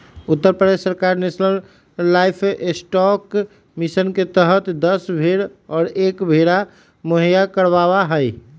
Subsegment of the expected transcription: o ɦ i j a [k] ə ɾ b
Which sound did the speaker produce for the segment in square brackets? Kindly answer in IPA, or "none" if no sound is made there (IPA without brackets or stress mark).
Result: k